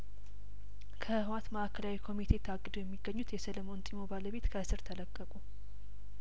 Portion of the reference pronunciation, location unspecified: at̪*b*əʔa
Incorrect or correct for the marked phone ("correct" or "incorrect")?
incorrect